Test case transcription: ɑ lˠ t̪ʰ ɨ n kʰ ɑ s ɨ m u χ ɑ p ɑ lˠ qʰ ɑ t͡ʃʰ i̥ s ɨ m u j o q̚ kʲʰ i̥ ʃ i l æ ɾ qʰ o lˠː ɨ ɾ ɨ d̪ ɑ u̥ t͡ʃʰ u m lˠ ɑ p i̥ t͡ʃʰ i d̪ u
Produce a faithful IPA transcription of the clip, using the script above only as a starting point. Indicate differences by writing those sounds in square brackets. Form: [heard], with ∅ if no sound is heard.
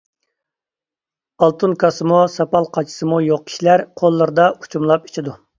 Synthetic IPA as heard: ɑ lˠ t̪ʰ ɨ n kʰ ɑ s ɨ m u [s] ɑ p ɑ lˠ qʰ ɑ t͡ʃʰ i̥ s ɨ m u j o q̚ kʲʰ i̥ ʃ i l æ ɾ qʰ o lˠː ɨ ɾ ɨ d̪ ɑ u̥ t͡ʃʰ u m lˠ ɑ p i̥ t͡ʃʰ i d̪ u